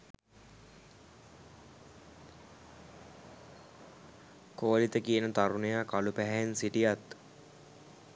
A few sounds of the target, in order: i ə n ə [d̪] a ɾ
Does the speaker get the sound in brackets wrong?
yes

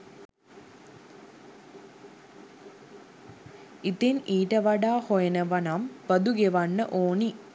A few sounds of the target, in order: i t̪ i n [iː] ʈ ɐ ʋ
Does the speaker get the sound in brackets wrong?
no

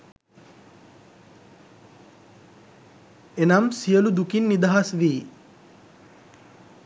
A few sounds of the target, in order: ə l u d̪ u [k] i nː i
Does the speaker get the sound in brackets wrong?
no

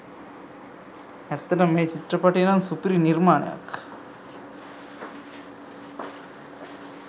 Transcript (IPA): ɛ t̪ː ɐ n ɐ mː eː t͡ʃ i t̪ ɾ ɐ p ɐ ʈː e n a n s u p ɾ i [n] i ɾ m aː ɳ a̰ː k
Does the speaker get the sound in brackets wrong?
no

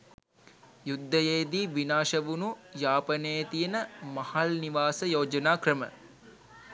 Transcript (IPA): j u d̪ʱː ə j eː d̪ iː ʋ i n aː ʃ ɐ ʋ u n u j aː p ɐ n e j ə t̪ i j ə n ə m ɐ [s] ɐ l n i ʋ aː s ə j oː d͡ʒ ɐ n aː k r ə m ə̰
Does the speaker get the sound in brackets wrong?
yes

